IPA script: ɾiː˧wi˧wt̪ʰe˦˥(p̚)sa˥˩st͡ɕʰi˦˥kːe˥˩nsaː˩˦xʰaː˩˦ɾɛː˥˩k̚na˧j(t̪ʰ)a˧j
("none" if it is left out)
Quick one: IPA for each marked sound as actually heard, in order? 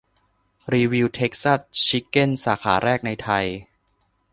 k̚, t̪ʰ

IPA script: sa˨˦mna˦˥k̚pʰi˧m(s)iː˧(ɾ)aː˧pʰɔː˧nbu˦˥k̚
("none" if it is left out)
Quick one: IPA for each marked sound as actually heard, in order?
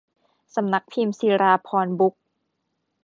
s, ɾ

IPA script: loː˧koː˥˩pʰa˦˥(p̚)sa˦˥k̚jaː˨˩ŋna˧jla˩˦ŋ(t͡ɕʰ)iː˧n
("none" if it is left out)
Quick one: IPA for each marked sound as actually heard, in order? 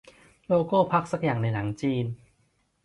k̚, t͡ɕ

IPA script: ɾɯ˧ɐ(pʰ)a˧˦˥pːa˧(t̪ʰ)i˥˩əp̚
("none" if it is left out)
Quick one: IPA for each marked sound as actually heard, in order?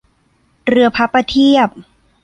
pʰ, t̪ʰ

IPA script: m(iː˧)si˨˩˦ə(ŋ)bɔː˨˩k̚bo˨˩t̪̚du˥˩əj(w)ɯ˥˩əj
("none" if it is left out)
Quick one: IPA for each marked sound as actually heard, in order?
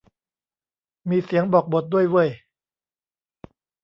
iː˧, ŋ, w

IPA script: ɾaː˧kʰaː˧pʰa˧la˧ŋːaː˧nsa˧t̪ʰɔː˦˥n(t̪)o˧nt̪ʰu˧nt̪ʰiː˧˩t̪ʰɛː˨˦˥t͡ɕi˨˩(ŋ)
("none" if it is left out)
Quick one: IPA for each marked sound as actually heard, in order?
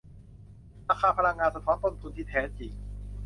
t̪, ŋ

